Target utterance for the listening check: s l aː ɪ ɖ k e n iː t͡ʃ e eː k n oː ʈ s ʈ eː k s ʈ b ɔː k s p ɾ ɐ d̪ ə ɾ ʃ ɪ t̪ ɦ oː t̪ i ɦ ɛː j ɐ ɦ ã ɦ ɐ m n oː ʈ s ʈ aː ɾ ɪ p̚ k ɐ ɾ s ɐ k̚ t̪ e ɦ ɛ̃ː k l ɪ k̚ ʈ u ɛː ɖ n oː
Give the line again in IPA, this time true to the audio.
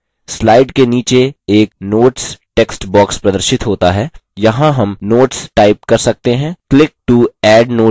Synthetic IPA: s l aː ɪ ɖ k e n iː t͡ʃ e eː k n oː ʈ s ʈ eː k s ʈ b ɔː k s p ɾ ɐ d̪ ə ɾ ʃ ɪ t̪ ɦ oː t̪ a ɦ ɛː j ɐ ɦ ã ɦ ɐ m n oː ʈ s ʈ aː ɪ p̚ k ɐ ɾ s ɐ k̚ t̪ e ɦ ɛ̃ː k l ɪ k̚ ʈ u ɛː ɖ n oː